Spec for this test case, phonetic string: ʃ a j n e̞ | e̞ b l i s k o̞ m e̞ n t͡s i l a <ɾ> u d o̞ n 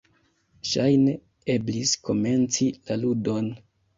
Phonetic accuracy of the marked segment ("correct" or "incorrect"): incorrect